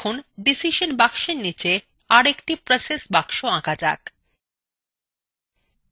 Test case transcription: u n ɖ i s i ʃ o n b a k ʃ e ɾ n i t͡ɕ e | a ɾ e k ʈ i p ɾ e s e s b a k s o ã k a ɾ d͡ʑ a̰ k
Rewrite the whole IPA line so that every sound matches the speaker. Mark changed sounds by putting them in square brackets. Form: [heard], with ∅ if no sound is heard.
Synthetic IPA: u n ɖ i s i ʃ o n b a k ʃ e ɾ n i t͡ɕ e | a ɾ e k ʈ i p ɾ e s e s b a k [ʃ] o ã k a [∅] d͡ʑ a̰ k